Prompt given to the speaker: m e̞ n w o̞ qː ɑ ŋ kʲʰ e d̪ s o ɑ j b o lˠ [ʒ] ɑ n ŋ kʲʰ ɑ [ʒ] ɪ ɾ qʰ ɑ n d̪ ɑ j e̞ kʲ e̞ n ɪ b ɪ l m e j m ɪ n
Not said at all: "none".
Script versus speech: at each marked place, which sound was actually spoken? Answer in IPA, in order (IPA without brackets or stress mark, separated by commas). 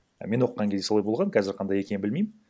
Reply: ʁ, z